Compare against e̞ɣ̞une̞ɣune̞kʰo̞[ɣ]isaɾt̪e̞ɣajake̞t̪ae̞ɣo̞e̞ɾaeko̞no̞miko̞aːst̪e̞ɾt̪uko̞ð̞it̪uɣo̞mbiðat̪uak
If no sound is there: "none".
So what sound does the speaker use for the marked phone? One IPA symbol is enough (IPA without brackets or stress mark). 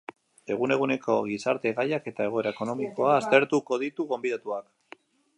ɣ